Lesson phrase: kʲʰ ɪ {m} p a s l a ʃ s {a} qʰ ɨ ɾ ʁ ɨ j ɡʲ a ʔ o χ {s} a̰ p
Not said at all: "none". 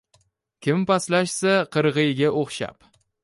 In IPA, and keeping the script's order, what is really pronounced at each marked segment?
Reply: m, a, ʃ

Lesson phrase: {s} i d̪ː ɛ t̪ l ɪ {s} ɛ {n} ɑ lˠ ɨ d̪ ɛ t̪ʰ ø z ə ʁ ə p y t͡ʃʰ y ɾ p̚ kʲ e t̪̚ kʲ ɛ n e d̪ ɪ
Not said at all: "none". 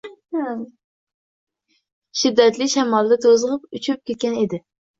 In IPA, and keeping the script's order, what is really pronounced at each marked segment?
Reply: ʃ, ʃ, m

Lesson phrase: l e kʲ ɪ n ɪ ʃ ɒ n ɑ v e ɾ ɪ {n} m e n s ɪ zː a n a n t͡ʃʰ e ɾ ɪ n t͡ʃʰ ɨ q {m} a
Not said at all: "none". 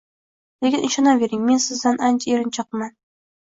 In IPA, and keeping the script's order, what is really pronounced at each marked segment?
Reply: ŋ, m

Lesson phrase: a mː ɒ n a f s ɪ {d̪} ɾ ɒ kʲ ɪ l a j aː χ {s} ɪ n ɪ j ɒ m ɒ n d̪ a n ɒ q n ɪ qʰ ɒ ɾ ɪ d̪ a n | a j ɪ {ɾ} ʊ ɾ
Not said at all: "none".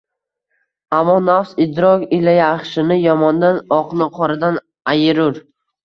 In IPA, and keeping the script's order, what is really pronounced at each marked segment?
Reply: d̪, ʃ, ɾ

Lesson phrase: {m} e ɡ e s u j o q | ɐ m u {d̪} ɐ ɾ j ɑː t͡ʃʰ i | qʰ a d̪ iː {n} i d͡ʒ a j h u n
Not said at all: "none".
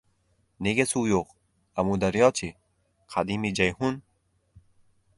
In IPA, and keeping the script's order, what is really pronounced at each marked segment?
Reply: n, d̪, m

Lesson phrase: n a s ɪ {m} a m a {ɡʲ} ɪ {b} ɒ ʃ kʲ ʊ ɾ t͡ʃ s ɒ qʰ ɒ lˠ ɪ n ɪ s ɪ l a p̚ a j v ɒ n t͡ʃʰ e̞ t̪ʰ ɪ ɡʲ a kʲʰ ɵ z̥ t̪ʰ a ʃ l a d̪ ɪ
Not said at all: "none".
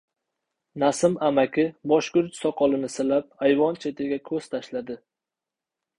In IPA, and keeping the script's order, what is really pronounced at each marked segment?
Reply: m, kʲ, b

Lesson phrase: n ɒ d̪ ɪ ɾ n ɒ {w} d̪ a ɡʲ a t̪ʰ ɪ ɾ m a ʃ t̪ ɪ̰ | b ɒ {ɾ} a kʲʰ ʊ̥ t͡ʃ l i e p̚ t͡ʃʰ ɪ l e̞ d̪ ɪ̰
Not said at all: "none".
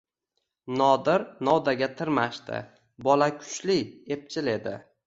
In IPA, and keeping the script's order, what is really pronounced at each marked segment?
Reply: w, l

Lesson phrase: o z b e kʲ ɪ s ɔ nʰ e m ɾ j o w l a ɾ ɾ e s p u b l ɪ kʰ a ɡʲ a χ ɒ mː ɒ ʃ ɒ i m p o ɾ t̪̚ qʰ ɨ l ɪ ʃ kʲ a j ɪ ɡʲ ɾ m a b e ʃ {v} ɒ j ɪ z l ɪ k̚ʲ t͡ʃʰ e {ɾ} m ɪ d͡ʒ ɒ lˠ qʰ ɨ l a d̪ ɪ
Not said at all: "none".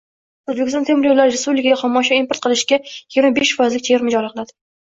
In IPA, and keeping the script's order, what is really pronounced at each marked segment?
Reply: f, ɾ

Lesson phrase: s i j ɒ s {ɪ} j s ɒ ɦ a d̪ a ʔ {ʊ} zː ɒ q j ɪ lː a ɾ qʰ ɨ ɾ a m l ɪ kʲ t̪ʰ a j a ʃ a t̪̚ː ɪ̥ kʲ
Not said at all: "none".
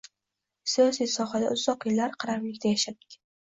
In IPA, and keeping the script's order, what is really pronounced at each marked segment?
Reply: i, ʊ

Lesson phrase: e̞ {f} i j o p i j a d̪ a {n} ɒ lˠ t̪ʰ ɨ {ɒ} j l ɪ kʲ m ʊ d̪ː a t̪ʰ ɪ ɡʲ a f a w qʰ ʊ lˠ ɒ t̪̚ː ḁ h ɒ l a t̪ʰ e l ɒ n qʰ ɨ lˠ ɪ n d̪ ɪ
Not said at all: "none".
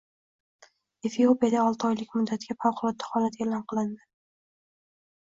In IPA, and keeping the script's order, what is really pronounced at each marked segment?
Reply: f, none, ɒ

